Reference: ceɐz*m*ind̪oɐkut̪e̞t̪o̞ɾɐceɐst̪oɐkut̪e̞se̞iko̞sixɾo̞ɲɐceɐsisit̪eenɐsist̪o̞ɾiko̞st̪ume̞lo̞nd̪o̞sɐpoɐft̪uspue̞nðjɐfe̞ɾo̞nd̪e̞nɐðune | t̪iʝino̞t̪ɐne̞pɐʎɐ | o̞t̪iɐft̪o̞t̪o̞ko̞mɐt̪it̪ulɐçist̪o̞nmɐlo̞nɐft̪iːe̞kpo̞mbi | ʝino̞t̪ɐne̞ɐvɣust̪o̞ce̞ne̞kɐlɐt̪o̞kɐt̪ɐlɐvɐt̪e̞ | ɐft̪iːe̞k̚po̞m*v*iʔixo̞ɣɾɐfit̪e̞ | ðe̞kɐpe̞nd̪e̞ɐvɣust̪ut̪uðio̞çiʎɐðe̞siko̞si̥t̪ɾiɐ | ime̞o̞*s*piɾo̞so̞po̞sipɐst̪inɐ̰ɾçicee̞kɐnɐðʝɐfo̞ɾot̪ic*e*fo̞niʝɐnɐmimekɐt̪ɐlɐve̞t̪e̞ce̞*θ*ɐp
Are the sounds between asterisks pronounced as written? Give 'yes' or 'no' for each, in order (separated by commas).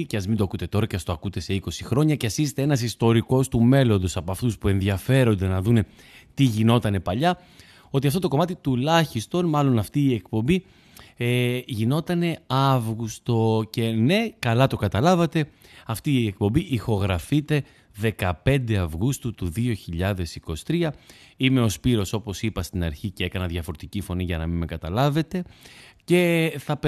yes, no, yes, no, yes